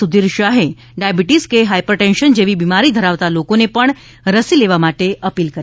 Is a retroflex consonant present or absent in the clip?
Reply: present